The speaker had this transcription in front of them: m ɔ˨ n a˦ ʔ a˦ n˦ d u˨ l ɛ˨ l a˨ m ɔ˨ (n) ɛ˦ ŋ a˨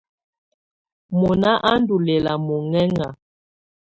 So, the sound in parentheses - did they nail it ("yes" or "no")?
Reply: no